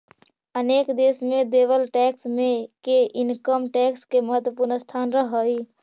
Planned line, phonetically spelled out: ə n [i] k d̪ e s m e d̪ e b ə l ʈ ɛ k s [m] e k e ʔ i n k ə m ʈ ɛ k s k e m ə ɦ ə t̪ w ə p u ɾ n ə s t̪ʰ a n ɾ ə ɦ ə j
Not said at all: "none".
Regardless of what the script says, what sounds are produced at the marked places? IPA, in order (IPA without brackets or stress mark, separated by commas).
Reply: e, m